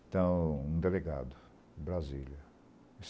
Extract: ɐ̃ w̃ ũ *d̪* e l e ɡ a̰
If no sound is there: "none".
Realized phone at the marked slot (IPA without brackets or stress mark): d̪